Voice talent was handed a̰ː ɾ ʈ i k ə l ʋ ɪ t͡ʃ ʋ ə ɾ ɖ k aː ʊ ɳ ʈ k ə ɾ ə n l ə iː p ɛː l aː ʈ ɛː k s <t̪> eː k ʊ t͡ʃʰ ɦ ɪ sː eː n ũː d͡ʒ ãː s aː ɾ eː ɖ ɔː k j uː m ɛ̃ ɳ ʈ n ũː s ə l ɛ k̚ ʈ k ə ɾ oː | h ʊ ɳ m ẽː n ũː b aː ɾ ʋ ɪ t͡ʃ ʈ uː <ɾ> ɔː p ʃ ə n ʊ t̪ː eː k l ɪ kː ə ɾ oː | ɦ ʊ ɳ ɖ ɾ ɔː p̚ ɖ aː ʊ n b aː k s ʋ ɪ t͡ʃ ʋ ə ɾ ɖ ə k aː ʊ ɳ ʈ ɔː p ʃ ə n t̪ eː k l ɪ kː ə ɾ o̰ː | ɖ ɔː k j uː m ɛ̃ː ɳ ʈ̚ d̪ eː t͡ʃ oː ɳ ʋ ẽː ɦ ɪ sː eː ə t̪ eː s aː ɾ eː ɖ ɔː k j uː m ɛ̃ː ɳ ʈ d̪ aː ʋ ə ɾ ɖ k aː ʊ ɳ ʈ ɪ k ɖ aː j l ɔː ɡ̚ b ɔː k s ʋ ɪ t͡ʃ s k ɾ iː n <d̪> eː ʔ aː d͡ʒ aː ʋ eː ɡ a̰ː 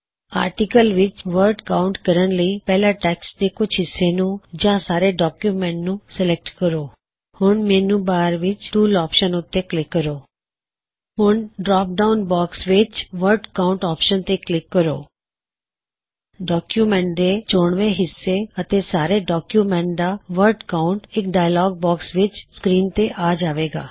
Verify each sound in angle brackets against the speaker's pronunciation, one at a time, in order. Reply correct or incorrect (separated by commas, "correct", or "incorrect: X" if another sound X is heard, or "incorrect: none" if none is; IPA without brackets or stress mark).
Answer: incorrect: d̪, incorrect: l, incorrect: t̪